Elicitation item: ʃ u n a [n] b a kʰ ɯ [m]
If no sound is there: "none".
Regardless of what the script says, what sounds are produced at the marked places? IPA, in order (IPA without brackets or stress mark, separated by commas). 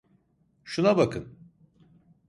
none, n